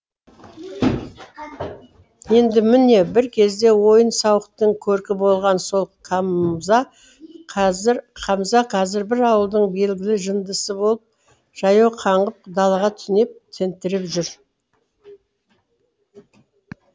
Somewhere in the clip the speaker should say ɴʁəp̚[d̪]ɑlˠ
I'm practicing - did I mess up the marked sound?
no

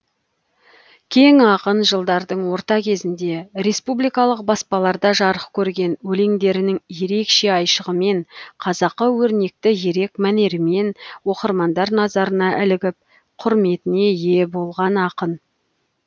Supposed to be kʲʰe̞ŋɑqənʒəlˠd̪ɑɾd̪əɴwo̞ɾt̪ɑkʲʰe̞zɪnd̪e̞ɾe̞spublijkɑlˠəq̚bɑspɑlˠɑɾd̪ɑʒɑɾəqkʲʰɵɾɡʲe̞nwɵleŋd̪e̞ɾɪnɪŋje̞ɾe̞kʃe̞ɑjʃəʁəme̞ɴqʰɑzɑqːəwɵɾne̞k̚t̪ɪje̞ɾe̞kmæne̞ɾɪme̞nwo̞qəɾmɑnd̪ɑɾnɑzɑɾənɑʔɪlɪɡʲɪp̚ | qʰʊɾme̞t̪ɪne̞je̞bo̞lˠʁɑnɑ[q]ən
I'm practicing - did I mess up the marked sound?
no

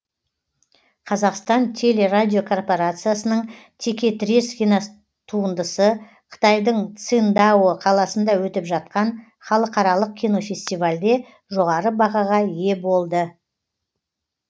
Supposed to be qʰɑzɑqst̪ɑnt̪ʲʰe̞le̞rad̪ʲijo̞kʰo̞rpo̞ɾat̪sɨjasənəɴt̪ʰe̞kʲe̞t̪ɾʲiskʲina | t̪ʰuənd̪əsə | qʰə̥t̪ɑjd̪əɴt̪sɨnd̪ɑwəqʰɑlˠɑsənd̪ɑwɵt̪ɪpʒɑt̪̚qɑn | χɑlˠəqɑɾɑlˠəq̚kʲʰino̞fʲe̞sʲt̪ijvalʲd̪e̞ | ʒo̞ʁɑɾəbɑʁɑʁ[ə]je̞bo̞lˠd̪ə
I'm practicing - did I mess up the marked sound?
yes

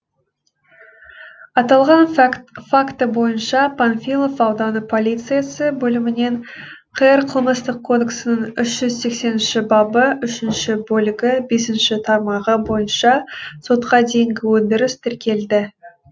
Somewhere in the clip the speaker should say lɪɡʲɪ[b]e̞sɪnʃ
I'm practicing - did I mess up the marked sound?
no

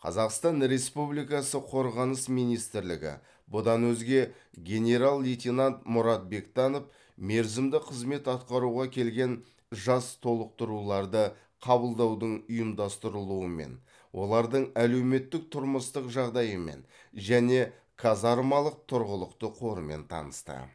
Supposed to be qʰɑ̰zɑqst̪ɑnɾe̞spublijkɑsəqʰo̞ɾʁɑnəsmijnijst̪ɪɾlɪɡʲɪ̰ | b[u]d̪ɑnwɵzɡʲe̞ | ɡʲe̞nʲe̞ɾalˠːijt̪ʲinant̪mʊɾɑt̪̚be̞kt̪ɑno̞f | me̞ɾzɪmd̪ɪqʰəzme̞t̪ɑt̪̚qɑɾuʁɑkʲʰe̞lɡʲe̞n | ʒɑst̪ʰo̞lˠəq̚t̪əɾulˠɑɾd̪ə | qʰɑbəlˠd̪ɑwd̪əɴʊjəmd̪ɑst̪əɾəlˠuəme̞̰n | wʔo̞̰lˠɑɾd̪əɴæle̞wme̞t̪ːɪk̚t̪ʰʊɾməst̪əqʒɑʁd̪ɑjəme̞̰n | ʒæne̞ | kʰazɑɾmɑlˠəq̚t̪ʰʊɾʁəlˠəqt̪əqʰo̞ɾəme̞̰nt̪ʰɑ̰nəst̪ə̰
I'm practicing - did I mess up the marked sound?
yes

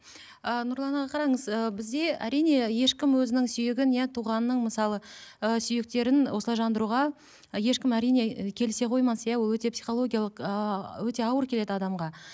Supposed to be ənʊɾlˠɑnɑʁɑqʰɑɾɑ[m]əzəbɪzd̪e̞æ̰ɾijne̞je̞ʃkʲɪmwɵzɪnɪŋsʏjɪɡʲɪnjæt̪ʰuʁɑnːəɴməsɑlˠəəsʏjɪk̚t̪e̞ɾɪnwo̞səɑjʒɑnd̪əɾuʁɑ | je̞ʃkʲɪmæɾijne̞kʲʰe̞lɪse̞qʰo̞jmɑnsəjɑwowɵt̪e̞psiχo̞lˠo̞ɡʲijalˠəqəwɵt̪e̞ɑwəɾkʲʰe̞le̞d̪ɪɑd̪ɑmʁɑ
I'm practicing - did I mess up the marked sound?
yes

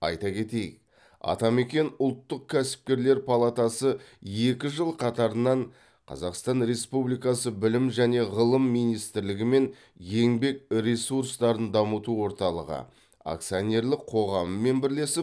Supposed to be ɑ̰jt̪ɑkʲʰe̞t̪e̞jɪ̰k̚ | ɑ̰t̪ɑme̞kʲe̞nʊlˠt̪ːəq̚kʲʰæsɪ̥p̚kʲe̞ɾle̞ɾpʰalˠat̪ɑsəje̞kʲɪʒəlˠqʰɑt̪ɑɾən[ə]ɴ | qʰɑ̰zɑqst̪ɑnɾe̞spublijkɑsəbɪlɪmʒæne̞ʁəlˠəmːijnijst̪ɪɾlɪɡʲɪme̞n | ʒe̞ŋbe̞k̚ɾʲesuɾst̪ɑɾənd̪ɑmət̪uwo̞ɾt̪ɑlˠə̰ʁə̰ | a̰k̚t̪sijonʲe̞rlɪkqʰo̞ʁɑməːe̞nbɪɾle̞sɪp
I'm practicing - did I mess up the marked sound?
yes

